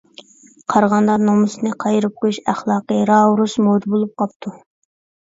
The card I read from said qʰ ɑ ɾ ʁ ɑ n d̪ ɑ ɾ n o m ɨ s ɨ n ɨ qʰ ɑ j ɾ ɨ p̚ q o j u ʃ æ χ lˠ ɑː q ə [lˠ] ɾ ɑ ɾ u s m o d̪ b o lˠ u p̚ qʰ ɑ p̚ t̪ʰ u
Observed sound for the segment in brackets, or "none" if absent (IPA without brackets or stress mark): none